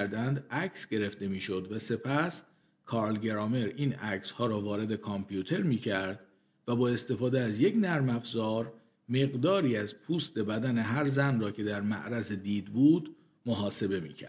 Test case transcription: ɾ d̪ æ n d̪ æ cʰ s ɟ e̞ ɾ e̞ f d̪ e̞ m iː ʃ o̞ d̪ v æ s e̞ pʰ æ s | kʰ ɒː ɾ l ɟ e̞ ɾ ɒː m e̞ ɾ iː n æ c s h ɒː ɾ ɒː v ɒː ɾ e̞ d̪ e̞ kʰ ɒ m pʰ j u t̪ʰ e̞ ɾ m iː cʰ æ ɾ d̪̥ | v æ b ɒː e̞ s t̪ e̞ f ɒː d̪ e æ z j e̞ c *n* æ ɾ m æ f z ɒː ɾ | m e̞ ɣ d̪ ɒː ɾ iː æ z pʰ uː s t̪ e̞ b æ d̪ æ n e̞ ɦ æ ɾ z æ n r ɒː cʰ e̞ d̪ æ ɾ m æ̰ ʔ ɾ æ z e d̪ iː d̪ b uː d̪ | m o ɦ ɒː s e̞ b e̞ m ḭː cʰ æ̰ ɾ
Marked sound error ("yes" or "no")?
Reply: no